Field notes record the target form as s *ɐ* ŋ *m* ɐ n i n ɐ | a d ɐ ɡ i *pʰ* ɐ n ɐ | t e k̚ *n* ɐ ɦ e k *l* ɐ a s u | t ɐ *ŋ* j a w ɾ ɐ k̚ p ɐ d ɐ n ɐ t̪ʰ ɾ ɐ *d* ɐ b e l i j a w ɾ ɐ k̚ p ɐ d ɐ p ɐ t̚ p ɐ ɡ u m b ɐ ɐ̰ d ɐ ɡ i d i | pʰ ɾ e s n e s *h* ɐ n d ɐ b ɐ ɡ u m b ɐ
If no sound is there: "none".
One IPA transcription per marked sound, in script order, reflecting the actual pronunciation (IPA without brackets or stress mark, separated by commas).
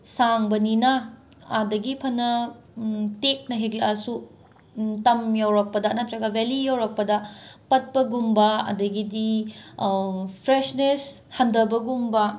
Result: a, b, pʰ, n, l, m, ɡ, h